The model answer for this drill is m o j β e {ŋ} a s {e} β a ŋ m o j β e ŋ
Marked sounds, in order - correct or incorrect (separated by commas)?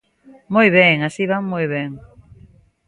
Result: correct, incorrect